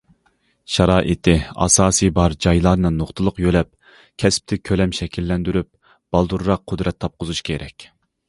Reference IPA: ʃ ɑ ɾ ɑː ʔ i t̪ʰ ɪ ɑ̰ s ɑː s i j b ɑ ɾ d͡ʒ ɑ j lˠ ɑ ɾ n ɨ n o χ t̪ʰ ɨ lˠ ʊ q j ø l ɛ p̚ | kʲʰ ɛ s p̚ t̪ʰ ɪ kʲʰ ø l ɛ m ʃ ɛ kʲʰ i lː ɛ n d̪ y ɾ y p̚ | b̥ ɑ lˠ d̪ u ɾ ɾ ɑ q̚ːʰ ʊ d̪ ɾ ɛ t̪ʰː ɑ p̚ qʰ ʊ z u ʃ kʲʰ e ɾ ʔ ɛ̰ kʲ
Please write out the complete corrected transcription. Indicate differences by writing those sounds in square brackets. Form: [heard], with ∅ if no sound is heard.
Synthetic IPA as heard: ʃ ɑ ɾ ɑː ʔ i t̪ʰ ɪ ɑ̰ s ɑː s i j b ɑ ɾ d͡ʒ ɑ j lˠ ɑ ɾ n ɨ n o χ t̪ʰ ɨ lˠ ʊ q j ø l ɛ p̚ | kʲʰ ɛ s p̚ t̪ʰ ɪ kʲʰ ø l ɛ m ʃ ɛ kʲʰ i lː ɛ n d̪ y ɾ y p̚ | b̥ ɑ lˠ d̪ u ɾ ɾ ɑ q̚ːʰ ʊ d̪ ɾ ɛ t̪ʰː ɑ p̚ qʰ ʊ z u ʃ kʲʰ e ɾ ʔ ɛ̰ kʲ